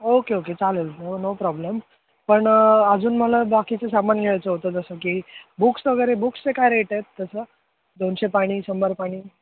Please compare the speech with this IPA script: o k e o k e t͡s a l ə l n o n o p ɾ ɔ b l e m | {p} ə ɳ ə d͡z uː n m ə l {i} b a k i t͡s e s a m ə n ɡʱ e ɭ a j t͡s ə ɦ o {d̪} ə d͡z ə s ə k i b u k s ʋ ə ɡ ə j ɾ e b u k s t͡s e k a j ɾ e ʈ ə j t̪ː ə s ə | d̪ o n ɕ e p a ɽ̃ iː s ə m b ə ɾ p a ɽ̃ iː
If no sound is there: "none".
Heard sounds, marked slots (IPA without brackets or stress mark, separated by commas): p, a, t̪